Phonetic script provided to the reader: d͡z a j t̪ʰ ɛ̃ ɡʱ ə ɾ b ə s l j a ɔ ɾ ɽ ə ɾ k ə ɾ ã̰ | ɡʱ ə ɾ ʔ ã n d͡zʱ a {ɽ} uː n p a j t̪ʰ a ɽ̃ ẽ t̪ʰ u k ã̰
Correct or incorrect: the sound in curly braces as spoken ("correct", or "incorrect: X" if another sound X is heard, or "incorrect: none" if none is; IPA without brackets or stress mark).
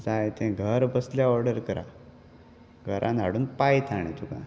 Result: correct